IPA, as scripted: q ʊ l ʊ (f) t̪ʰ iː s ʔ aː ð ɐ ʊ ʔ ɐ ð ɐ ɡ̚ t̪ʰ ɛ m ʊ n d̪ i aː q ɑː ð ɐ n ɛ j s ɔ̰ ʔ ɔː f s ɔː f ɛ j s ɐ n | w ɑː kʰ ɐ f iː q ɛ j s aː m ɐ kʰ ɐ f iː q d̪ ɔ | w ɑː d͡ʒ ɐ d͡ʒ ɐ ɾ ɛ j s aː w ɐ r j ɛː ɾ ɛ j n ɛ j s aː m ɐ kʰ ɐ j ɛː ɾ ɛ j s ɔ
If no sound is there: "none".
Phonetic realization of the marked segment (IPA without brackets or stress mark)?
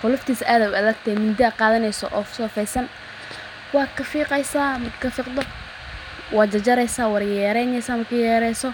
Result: f